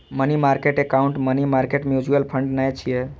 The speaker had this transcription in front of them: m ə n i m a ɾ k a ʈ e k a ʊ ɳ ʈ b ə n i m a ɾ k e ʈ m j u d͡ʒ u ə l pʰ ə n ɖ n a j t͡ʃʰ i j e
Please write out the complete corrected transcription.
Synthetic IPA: m ə n i m a ɾ k e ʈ e k a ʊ ɳ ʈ m ə n i m a ɾ k e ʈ m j u d͡ʒ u ə l pʰ ə ɳ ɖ n a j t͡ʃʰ i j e